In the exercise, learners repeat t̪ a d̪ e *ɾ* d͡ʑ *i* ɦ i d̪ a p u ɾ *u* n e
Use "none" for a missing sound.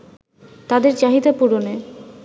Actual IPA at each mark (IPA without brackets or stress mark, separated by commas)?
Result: ɾ, a, o